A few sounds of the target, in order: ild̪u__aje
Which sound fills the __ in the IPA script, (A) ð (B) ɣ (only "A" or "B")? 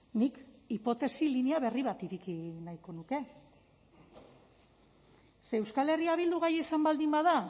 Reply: B